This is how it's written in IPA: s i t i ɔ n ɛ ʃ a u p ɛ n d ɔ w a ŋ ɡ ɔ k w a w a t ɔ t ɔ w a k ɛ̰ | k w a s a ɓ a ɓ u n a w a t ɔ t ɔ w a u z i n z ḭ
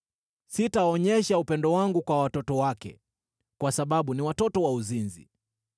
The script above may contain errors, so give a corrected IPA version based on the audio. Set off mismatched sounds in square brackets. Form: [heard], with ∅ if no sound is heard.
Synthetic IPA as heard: s i t [a] ɔ [ɲ] ɛ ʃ a u p ɛ n d ɔ w a ŋ ɡ [u] k w a w a t ɔ t ɔ w a k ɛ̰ | k w a s a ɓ a ɓ u n [i] w a t ɔ t ɔ w a u z i n z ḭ

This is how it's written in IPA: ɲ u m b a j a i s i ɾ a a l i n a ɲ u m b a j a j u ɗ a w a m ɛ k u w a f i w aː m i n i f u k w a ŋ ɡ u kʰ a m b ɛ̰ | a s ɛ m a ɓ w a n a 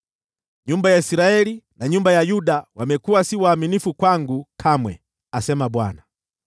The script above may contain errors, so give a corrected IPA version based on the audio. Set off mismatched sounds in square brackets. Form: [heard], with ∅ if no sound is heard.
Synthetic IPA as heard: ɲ u m b a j a i s i ɾ a [ɛ] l i n a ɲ u m b a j a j u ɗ a w a m ɛ k u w a [s] i w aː m i n i f u k w a ŋ ɡ u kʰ a m [w] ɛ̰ | a s ɛ m a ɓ w a n a

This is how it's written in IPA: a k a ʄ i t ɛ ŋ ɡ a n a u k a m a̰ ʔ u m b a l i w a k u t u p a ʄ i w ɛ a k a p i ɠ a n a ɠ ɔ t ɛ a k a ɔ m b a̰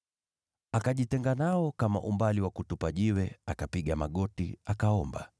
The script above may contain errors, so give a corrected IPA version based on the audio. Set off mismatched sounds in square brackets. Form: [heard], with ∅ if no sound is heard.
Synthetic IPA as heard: a k a ʄ i t ɛ ŋ ɡ a n a [ɔ] k a m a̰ ʔ u m b a l i w a k u t u p a ʄ i w ɛ a k a p i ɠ a [m] a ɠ ɔ t [i] a k a ɔ m b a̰

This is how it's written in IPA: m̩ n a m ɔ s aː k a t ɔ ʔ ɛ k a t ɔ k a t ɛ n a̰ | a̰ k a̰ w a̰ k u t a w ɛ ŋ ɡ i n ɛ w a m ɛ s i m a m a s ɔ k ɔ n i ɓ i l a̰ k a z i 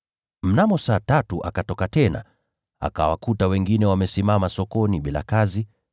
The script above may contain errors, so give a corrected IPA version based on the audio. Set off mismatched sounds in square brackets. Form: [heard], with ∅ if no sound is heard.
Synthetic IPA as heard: m̩ n a m ɔ s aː [t] a t [u] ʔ [a] k a t ɔ k a t ɛ n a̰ | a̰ k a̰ w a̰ k u t a w ɛ ŋ ɡ i n ɛ w a m ɛ s i m a m a s ɔ k ɔ n i ɓ i l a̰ k a z i

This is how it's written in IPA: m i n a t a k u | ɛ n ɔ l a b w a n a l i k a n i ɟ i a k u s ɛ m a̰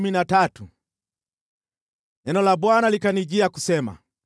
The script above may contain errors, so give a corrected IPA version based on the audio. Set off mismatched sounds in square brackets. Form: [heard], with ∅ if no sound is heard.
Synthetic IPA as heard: m i n a t a [t] u | ɛ n ɔ l a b w a n a l i k a n i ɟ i a k u s ɛ m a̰

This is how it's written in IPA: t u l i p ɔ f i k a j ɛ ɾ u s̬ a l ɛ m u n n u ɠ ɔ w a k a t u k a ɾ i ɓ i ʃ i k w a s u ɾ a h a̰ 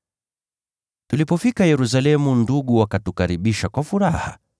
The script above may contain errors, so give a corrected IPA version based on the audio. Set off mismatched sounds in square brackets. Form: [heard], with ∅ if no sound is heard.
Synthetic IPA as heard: t u l i p ɔ f i k a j ɛ ɾ u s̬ a l ɛ m u n [d] u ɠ [u] w a k a t u k a ɾ i ɓ i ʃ [a] k w a [f] u ɾ a h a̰

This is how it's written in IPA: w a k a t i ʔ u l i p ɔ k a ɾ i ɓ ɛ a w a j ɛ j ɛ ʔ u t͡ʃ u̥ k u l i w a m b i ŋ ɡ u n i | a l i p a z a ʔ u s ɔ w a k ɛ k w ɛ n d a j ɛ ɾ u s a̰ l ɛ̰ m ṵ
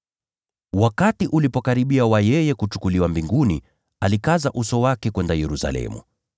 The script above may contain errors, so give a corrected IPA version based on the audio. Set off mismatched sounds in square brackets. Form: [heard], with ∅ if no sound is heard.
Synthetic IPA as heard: w a k a t i ʔ u l i p ɔ k a ɾ i ɓ [i] a w a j ɛ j ɛ [k] u t͡ʃ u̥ k u l i w a m b i ŋ ɡ u n i | a l i [k] a z a ʔ u s ɔ w a k ɛ k w ɛ n d a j ɛ ɾ u s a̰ l ɛ̰ m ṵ

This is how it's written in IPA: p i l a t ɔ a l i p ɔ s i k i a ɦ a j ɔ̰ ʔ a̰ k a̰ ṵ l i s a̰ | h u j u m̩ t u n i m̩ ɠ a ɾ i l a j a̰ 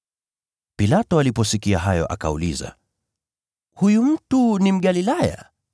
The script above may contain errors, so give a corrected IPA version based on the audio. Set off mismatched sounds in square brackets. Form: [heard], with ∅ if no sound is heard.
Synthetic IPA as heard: p i l a t ɔ a l i p ɔ s i k i a ɦ a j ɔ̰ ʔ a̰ k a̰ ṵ l i [z] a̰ | h u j u m̩ t u n i m̩ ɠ a [l] i l a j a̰

